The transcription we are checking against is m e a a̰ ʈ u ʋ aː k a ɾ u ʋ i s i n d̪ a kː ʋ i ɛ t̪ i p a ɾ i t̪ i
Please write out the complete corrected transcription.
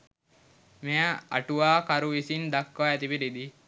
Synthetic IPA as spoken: m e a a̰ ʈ u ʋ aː k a ɾ u ʋ i s i n d̪ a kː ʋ a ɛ t̪ i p i ɾ i d̪ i

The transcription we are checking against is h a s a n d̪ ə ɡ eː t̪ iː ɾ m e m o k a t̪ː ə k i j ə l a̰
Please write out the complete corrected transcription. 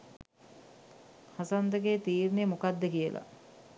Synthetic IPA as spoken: h a s a n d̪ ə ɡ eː t̪ iː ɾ n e m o k a d̪ː ə k i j ə l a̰

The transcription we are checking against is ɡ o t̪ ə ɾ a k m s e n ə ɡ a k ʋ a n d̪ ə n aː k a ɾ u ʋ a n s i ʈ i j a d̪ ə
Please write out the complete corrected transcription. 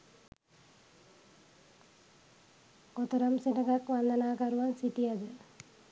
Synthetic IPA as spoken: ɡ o t̪ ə ɾ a m s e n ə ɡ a k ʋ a n d̪ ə n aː k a ɾ u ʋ a n s i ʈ i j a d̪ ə

